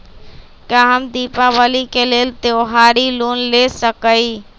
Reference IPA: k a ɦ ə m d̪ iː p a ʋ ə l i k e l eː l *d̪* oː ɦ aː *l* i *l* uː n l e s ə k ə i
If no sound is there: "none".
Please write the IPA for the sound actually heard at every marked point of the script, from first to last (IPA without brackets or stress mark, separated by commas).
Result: t̪, ɾ, l